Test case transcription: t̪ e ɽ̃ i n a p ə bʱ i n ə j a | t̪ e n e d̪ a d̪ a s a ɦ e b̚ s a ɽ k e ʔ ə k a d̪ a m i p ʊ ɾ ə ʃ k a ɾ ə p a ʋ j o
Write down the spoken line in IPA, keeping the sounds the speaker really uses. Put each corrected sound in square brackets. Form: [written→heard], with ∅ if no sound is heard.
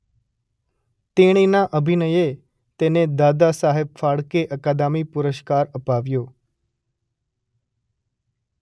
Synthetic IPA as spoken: t̪ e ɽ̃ i n a [p→ʔ] ə bʱ i n ə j [a→e] | t̪ e n e d̪ a d̪ a s a ɦ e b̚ [s→f] a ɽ k e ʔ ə k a d̪ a m i p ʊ ɾ ə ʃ k a ɾ ə p a ʋ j o